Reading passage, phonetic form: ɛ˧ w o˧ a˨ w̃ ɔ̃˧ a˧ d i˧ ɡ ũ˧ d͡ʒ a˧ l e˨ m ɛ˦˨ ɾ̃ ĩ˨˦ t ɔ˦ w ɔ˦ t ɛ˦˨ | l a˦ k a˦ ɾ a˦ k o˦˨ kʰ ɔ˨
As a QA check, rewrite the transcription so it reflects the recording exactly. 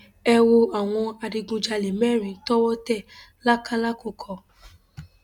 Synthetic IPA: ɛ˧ w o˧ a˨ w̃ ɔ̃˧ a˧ d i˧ ɡ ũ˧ d͡ʒ a˧ l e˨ m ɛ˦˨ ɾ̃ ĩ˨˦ t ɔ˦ w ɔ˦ t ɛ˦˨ | l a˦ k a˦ l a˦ k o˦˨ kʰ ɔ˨